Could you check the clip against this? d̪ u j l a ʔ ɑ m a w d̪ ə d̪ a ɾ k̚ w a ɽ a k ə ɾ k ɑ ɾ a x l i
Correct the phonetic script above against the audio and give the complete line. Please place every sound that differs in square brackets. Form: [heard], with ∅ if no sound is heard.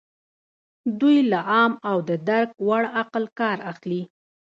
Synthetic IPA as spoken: d̪ u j l a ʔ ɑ m a w d̪ ə d̪ a ɾ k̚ w a ɽ a [q] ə [l] k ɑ ɾ a x l i